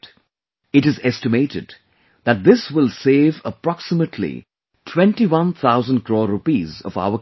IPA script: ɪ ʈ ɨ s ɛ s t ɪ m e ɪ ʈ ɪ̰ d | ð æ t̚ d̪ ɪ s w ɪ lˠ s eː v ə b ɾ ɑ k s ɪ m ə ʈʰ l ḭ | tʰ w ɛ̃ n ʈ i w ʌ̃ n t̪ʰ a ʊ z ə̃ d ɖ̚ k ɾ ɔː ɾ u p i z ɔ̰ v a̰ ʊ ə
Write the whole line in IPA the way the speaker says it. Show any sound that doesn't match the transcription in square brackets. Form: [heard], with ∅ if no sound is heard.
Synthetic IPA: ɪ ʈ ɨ [z] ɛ s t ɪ m e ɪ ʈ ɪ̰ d | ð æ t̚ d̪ ɪ s w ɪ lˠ s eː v ə [p] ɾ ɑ k s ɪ m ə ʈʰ l ḭ | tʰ w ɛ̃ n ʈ i w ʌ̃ n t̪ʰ a ʊ z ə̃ [n] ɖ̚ k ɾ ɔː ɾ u p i z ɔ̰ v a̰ ʊ ə